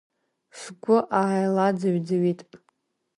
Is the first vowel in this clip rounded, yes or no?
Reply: yes